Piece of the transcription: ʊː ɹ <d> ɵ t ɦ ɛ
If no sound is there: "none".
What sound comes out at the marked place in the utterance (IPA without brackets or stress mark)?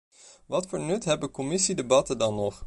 n